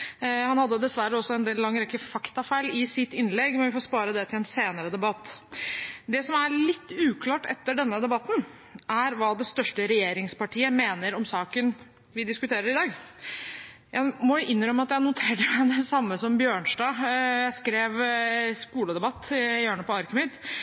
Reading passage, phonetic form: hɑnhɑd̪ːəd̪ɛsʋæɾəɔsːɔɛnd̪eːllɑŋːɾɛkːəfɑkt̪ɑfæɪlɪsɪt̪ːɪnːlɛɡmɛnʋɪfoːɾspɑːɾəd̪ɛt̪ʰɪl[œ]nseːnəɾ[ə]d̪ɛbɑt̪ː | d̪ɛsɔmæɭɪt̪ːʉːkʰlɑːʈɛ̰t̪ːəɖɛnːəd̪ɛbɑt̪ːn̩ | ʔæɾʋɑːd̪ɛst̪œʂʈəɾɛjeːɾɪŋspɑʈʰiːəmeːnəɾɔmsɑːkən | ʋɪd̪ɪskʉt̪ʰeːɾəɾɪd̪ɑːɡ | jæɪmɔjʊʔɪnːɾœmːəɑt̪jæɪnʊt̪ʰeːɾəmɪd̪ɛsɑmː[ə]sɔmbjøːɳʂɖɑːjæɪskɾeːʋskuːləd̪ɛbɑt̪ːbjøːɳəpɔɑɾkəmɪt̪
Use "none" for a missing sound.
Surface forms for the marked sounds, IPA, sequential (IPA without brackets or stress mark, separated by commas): ɛ, ə, ə